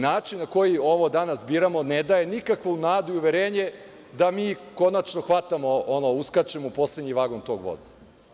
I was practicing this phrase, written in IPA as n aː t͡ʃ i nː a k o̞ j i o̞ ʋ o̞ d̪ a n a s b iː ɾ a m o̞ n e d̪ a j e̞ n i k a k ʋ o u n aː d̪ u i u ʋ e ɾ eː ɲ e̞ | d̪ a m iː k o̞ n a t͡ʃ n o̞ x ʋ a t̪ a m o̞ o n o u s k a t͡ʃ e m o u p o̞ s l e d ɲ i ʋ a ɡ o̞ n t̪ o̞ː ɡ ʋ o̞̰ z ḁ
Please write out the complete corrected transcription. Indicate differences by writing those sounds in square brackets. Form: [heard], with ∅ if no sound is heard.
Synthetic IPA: n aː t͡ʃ i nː a k o̞ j i o̞ ʋ o̞ d̪ a n a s b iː ɾ a m o̞ n e d̪ a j e̞ n i k a k ʋ o u n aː d̪ u i u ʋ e ɾ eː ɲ e̞ | d̪ a m iː k o̞ n a t͡ʃ n o̞ x ʋ a t̪ a m o̞ o n o u s k a t͡ʃ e m o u p o̞ s l e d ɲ i ʋ a ɡ o̞ n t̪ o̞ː ɡ ʋ o̞̰ z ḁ

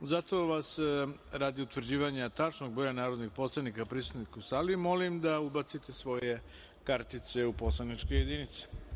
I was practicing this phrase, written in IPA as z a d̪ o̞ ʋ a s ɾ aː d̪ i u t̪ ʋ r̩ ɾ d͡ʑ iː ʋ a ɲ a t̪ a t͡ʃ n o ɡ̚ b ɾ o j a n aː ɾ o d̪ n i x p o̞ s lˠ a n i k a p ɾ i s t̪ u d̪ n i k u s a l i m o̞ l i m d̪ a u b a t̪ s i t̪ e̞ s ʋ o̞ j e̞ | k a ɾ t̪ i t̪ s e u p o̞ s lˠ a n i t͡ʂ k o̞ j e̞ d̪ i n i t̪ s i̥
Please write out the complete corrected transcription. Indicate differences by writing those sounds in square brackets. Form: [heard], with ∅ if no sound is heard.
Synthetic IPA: z a [t̪] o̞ ʋ a s ɾ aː d̪ i u t̪ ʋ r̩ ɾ d͡ʑ iː ʋ a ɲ a t̪ a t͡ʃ n o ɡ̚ b ɾ o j a n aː ɾ o d̪ n i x p o̞ s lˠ a n i k a p ɾ i s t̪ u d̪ n i k u s a l i m o̞ l i m d̪ a u b a t̪ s i t̪ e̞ s ʋ o̞ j e̞ | k a ɾ t̪ i t̪ s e u p o̞ s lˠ a n i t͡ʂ k o̞ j e̞ d̪ i n i t̪ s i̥

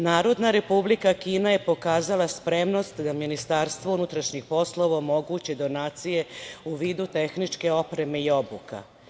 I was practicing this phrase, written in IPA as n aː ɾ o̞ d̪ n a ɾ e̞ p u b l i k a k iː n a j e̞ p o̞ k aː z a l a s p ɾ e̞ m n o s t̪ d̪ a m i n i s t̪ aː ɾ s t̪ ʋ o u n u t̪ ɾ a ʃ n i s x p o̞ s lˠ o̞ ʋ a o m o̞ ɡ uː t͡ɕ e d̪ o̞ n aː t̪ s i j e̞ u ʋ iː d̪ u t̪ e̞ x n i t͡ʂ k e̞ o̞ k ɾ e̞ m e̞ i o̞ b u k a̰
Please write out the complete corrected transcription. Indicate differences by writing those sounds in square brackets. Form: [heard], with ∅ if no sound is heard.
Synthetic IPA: n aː ɾ o̞ d̪ n a ɾ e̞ p u b l i k a k iː n a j e̞ p o̞ k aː z a l a s p ɾ e̞ m n o s t̪ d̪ a m i n i s t̪ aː ɾ s t̪ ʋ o u n u t̪ ɾ a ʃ [ɲ] i [∅] x p o̞ s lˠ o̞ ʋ a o m o̞ ɡ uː t͡ɕ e d̪ o̞ n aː t̪ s i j e̞ u ʋ iː d̪ u t̪ e̞ x n i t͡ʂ k e̞ o̞ [p] ɾ e̞ m e̞ i o̞ b u k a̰

